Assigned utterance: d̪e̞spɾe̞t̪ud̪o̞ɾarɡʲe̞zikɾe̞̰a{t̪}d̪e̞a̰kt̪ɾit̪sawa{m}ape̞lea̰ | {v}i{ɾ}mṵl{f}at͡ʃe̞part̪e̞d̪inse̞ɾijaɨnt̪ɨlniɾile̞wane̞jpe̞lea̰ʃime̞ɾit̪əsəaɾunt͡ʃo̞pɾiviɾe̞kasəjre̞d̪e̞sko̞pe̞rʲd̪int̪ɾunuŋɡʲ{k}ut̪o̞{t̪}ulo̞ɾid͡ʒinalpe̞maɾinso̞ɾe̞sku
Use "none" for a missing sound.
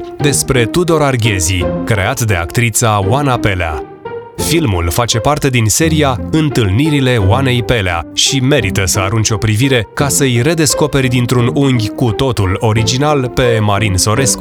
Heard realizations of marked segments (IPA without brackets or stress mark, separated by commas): t̪, n, f, l, f, k, t̪